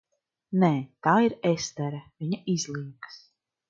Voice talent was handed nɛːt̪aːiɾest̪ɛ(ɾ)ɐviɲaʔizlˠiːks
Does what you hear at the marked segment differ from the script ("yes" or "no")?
no